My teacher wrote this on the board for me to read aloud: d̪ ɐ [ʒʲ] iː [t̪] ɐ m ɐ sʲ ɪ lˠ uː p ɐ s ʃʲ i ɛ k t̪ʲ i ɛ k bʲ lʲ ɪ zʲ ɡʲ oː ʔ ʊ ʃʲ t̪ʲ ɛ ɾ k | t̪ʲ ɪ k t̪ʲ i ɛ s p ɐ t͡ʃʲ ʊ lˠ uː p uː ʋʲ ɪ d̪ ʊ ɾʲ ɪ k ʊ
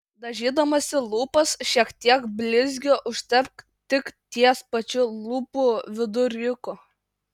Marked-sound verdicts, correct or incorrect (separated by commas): correct, incorrect